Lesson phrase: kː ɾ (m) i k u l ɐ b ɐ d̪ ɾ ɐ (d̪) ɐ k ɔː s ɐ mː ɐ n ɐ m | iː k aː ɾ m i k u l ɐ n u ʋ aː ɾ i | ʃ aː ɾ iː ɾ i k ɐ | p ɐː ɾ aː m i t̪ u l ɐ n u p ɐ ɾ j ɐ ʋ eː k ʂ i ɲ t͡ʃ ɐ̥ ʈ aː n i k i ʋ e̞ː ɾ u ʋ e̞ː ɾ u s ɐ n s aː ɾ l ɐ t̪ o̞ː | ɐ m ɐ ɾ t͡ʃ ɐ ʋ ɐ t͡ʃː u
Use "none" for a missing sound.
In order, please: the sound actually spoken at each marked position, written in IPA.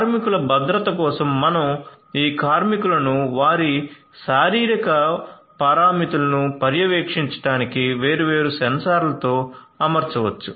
m, t̪

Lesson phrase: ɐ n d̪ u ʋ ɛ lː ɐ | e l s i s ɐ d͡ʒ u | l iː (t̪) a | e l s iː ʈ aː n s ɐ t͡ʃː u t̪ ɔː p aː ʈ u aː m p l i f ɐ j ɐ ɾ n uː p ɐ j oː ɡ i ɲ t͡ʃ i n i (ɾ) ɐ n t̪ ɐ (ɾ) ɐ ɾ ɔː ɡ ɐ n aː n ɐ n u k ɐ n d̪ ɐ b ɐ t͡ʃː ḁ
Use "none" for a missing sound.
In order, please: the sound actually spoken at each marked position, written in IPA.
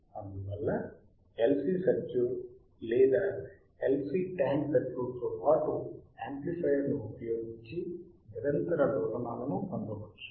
d̪, ɾ, ɾ

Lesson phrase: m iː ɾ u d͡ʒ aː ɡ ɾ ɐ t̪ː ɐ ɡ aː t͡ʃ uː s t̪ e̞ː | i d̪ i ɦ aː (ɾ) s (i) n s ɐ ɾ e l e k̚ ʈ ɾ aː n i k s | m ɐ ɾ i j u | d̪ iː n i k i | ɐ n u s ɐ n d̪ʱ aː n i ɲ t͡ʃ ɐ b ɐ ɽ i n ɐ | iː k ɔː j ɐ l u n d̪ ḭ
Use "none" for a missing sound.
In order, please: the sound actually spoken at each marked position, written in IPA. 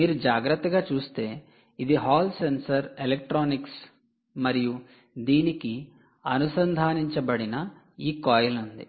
l, e

